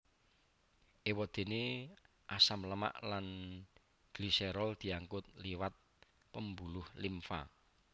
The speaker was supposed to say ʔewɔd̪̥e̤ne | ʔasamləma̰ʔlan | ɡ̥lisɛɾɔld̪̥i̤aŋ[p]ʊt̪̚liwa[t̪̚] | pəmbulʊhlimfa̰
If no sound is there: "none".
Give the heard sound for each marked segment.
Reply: k, t̪̚

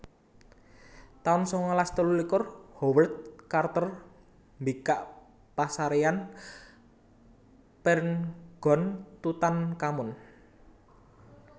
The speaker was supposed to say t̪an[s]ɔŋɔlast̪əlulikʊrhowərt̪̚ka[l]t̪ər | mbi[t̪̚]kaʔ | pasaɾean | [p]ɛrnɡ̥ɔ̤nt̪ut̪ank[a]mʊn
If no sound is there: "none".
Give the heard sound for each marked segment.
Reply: s, r, none, p, a

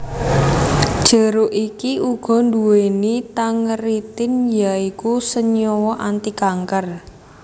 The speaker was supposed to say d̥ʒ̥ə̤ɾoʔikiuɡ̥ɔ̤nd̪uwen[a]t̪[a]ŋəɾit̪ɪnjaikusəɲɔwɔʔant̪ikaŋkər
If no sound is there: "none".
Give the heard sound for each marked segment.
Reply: i, a

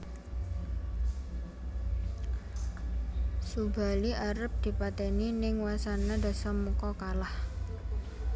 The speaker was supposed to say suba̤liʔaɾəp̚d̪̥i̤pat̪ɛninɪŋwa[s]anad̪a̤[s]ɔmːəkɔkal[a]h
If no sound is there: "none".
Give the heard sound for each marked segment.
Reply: s, s, a

